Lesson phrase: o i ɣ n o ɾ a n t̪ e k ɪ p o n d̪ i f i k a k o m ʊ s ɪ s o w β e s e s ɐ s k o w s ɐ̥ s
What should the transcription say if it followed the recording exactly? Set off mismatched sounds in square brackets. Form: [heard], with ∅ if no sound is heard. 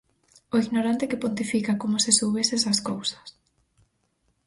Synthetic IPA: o i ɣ n o ɾ a n t̪ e k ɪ p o n [t̪] i f i k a k o m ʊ s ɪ s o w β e s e s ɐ s k o w s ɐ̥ s